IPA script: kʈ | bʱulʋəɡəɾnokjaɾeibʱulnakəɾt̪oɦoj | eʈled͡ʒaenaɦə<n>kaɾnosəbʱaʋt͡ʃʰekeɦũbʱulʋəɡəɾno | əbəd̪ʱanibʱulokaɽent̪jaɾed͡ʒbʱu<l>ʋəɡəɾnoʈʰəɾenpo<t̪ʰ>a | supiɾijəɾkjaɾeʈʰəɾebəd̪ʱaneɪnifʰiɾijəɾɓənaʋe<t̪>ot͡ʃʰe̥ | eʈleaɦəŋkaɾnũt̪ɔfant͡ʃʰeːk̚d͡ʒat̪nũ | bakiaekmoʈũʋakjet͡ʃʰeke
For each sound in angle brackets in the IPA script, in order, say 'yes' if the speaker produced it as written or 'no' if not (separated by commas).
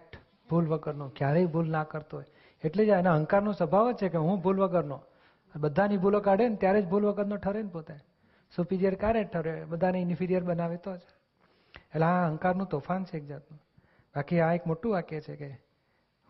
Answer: no, yes, no, yes